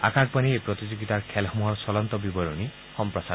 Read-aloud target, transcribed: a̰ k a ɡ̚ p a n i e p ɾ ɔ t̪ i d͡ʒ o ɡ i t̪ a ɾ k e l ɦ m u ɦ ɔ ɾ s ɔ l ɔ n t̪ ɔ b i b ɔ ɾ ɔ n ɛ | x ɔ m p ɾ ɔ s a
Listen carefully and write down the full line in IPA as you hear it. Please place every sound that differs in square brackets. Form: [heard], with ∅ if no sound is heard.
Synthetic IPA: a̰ k a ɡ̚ p a n i e p ɾ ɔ t̪ i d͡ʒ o ɡ i t̪ a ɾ [kʰ] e l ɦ m u ɦ ɔ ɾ s ɔ l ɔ n t̪ ɔ b i b ɔ ɾ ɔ n [i] | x ɔ m p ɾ ɔ s a